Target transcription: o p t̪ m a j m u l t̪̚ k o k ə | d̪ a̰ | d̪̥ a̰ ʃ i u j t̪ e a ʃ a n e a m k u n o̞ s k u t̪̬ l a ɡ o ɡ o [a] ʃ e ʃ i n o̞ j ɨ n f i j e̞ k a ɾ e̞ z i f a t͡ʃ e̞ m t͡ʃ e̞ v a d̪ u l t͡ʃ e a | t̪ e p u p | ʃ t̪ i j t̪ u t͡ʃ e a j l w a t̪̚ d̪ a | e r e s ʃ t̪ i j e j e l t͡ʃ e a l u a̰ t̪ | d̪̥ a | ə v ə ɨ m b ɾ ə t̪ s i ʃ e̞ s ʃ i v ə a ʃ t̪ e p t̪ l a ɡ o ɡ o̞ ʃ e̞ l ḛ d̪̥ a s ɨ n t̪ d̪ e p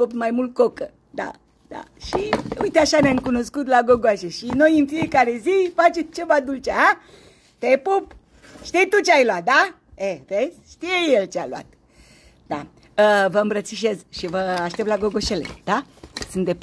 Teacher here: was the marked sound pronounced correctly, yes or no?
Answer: yes